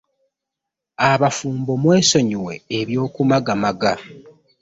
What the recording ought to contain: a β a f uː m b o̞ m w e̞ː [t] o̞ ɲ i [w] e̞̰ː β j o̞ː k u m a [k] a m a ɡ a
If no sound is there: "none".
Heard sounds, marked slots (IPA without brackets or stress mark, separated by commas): s, w, ɡ